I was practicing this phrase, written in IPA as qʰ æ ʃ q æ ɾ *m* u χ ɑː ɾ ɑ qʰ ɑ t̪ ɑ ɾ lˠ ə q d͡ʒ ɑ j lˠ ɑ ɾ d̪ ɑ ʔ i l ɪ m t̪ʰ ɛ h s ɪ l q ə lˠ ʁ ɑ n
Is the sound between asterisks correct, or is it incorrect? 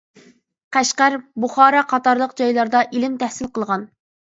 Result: incorrect